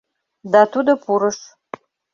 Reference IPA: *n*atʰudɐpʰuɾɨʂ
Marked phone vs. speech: incorrect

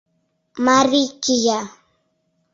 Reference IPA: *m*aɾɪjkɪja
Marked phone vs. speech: correct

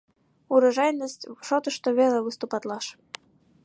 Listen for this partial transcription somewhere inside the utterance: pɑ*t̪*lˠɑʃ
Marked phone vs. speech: correct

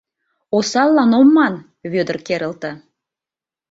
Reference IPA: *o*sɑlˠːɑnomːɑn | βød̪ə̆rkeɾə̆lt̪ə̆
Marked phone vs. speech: correct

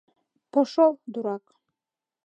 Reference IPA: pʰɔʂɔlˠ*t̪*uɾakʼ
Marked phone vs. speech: incorrect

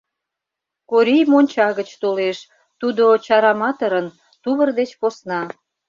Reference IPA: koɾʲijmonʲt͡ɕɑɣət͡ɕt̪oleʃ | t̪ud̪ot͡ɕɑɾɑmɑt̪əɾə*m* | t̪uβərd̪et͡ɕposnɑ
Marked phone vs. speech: incorrect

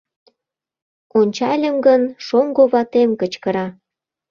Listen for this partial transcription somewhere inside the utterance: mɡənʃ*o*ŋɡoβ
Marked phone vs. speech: correct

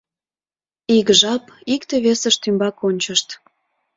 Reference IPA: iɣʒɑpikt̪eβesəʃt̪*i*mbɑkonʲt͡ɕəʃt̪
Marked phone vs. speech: incorrect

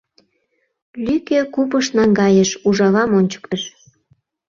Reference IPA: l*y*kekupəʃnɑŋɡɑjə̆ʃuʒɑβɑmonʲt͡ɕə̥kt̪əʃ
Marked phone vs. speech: correct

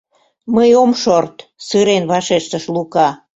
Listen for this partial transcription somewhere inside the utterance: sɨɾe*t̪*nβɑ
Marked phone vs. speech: incorrect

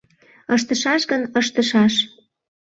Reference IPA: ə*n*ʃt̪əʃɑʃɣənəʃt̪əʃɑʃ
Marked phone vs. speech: incorrect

